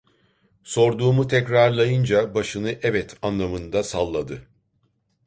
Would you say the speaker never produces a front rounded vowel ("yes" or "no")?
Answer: yes